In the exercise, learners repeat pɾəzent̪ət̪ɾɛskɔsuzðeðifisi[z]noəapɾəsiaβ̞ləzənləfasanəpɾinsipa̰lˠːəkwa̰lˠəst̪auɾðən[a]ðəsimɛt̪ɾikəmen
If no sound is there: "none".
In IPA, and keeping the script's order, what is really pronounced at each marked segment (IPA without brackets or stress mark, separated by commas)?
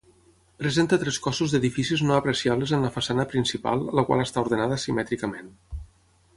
z, a